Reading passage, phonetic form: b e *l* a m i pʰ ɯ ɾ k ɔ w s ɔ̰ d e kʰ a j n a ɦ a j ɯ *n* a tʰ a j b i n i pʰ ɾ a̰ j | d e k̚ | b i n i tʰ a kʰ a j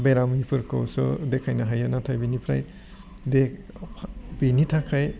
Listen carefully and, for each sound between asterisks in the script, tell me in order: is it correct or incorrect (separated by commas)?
incorrect, correct